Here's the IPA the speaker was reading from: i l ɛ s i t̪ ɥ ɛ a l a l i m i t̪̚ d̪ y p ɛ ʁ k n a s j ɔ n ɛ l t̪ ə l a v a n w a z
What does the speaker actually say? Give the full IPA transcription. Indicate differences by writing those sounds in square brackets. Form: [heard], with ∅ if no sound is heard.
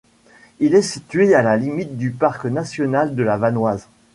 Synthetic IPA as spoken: i l ɛ s i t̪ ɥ [e] a l a l i m i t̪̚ d̪ y p [a] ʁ k n a s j ɔ n [a] l [d̪] ə l a v a n w a z

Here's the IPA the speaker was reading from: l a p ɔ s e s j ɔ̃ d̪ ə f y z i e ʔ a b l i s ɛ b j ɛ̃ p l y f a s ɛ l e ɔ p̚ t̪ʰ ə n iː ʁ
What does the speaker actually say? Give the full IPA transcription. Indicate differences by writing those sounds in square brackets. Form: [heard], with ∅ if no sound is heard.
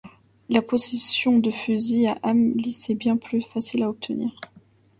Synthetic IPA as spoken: l a p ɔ s e s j ɔ̃ d̪ ə f y z i [a] ʔ a [m] l i s ɛ b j ɛ̃ p l y f a s [i] l [a] ɔ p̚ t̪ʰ ə n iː ʁ

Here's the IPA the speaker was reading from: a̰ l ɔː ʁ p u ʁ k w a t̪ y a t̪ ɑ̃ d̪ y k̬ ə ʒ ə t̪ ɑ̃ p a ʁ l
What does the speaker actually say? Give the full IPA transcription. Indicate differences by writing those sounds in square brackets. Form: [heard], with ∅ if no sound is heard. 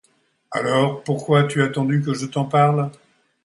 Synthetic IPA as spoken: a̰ l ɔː ʁ p u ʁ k w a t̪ y a t̪ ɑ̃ d̪ y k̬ ə ʒ ə t̪ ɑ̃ p a ʁ l

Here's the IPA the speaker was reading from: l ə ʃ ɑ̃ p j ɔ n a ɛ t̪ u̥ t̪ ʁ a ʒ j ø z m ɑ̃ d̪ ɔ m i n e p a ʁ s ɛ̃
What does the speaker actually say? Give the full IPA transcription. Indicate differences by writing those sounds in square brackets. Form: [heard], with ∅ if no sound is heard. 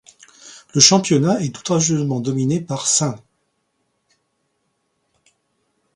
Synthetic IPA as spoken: l ə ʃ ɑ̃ p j ɔ n a ɛ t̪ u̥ t̪ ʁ a ʒ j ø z m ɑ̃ d̪ ɔ m i n e p a ʁ s ɛ̃

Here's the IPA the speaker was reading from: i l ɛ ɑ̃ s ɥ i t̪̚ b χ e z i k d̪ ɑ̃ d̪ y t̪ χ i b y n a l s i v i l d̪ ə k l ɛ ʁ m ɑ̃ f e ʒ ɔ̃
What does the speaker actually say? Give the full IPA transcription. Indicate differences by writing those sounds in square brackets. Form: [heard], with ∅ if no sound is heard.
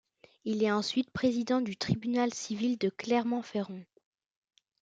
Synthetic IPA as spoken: i l ɛ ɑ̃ s ɥ i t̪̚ [p] χ e z i [∅] d̪ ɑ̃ d̪ y t̪ χ i b y n a l s i v i l d̪ ə k l ɛ ʁ m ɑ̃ f e [ʁ] ɔ̃

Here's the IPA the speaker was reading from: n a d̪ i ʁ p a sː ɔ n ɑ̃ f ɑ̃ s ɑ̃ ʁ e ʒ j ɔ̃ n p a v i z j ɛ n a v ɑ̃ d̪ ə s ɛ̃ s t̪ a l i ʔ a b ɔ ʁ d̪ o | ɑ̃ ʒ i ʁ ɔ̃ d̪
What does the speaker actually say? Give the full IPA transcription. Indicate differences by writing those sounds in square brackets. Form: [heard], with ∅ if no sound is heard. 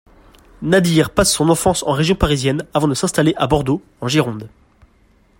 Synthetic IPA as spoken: n a d̪ i ʁ p a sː [ɔ̃] n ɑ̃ f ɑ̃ s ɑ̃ ʁ e ʒ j ɔ̃ [∅] p a [ʁ] i z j ɛ n a v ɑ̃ d̪ ə s ɛ̃ s t̪ a l [e] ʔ a b ɔ ʁ d̪ o | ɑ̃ ʒ i ʁ ɔ̃ d̪

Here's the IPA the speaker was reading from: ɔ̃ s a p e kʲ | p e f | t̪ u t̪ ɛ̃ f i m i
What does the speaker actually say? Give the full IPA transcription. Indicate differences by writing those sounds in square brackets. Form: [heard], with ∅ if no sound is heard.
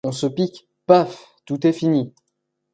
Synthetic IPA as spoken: ɔ̃ s [ə] p [i] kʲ | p [a] f | t̪ u t̪ [ɛ] f i [n] i

